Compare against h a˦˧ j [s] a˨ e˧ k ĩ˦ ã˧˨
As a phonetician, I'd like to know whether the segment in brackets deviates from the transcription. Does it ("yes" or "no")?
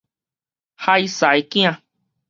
no